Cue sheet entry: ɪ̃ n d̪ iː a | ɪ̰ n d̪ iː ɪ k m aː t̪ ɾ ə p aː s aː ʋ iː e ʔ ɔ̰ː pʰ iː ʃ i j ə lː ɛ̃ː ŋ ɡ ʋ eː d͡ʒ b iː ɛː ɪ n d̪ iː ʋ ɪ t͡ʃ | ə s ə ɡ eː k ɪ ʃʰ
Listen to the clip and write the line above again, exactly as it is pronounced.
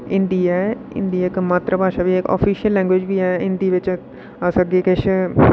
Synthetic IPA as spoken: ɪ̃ n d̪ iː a | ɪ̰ n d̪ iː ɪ k m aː t̪ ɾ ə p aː ʃ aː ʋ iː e k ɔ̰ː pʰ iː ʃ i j ə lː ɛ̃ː ŋ ɡ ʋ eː d͡ʒ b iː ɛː ɪ n d̪ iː ʋ ɪ t͡ʃ | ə s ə ɡ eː k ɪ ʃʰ